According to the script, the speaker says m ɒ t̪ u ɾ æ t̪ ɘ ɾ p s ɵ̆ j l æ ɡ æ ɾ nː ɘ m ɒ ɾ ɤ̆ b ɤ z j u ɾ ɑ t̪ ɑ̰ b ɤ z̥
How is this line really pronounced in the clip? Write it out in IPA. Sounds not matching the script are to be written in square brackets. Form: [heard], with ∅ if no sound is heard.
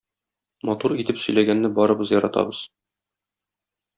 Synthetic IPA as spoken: m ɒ t̪ u ɾ [i] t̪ ɘ [∅] p s ɵ̆ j l æ ɡ æ [∅] nː ɘ [b] ɒ ɾ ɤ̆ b ɤ z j [ɒ] ɾ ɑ t̪ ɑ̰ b ɤ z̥